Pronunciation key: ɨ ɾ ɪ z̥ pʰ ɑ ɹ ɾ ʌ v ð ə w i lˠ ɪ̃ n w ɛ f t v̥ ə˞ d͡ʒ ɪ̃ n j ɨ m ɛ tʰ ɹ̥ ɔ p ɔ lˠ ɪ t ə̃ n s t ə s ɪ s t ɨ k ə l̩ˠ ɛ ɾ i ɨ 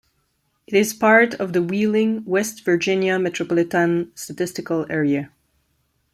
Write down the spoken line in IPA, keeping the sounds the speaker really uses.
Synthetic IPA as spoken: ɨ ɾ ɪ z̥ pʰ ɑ ɹ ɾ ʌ v ð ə w i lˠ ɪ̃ ŋ w ɛ s t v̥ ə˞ d͡ʒ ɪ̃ n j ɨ m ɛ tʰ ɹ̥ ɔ p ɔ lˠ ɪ t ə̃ n s t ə t ɪ s t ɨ k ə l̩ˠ ɛ ɹ i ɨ